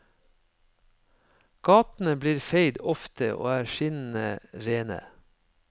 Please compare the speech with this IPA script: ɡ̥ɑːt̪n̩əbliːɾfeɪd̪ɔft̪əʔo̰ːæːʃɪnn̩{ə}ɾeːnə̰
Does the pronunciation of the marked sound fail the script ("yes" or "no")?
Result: no